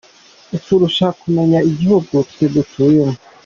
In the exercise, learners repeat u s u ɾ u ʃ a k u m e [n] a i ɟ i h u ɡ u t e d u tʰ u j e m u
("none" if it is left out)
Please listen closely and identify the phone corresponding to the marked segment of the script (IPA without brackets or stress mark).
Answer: ɲ